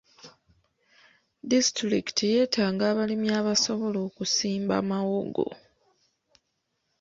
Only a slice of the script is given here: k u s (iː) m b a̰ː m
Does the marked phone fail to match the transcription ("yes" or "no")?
no